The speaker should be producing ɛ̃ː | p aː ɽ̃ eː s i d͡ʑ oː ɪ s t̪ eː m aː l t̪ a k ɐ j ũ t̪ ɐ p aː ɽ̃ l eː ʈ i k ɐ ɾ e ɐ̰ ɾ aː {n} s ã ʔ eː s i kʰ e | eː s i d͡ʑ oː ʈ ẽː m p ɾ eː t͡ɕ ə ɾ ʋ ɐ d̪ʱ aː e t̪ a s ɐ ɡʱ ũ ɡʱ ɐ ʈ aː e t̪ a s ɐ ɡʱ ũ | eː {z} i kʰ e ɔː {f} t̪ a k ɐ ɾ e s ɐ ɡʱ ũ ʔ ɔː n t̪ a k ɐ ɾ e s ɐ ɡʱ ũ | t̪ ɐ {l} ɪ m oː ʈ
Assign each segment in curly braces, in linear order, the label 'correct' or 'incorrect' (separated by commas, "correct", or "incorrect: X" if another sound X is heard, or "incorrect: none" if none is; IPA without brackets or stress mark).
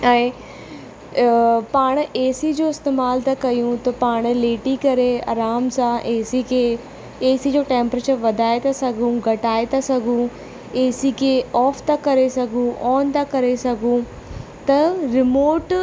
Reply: incorrect: m, incorrect: s, correct, incorrect: ɾ